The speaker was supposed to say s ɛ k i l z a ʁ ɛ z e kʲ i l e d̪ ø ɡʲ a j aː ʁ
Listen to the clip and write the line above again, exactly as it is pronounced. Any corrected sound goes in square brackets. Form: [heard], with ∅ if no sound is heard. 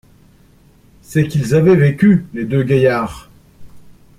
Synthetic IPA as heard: s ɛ k i l z a [v] ɛ [v] e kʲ [y] l e d̪ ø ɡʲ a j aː ʁ